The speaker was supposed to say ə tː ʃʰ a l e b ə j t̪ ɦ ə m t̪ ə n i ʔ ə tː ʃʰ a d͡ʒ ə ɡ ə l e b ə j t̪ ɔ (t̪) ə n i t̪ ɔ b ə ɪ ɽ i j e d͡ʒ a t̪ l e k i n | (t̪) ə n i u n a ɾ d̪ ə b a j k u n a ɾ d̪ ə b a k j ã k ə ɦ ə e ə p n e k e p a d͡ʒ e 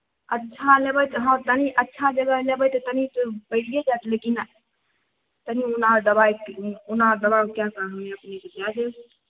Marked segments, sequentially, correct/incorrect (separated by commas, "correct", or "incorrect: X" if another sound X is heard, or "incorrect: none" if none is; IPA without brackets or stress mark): correct, correct